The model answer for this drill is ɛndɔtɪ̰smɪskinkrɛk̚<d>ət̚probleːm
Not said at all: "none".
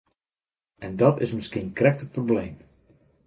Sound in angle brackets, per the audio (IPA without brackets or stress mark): t